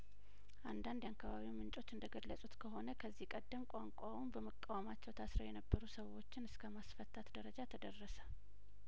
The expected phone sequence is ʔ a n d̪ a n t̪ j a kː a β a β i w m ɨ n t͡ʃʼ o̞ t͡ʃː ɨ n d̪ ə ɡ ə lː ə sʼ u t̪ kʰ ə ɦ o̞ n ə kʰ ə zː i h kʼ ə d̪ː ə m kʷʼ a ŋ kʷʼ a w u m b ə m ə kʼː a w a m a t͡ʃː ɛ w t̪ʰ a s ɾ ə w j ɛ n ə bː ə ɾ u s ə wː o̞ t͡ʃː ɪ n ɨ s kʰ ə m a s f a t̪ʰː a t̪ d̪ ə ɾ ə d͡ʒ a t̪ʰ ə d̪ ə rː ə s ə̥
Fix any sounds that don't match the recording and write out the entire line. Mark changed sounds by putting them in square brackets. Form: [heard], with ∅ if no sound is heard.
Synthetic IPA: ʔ a n d̪ a n [d̪] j a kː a β a β i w m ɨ n t͡ʃʼ o̞ t͡ʃː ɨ n d̪ ə ɡ ə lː ə sʼ u t̪ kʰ ə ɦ o̞ n ə kʰ ə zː i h kʼ ə d̪ː ə m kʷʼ a ŋ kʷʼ a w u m b ə m ə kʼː a w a m a t͡ʃː ɛ w t̪ʰ a s ɾ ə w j ɛ n ə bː ə ɾ u s ə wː o̞ t͡ʃː ɪ n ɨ s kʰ ə m a s f [ə] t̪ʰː a t̪ d̪ ə ɾ ə d͡ʒ a t̪ʰ ə d̪ ə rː ə s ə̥